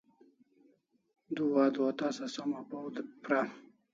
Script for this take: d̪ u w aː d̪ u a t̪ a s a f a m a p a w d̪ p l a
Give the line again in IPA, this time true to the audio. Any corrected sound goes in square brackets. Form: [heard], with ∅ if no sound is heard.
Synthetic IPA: d̪ u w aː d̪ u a t̪ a s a [s] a m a p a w d̪ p [ɾ] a